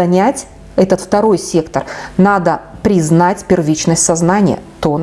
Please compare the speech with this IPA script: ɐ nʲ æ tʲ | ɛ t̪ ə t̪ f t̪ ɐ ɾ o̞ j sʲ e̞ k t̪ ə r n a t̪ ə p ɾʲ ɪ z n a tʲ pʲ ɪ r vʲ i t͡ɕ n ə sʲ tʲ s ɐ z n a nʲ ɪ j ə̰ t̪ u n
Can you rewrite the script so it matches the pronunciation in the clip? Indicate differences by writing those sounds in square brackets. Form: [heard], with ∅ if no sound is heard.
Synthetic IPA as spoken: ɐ nʲ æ tʲ | ɛ t̪ ə t̪ f t̪ ɐ ɾ o̞ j sʲ e̞ k t̪ ə r n a [d̪] ə p ɾʲ ɪ z n a tʲ pʲ ɪ r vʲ i t͡ɕ n ə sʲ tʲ s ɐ z n a nʲ ɪ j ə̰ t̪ [o] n